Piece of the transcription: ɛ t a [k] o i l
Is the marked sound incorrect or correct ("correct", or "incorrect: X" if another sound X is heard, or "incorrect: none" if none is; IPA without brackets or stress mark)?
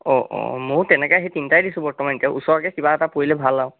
incorrect: p